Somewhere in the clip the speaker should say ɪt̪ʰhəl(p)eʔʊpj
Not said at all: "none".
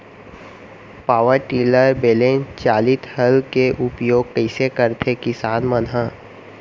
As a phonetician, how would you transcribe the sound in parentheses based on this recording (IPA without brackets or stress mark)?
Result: k